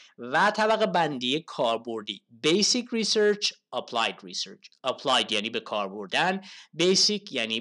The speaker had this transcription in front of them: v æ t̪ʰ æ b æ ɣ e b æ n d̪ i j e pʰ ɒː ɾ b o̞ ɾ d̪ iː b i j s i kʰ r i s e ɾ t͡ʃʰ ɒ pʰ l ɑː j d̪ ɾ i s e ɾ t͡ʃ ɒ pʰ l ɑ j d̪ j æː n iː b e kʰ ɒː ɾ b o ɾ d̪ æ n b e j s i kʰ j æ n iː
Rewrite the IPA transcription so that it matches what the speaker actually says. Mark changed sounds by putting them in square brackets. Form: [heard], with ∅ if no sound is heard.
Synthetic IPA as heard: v æ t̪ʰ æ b æ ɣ e b æ n d̪ i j e [kʰ] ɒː ɾ b o̞ ɾ d̪ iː b [e] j s i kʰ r i s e ɾ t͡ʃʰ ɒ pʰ l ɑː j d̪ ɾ i s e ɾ t͡ʃ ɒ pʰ l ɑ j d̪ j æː n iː b e kʰ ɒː ɾ b o ɾ d̪ æ n b e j s i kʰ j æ n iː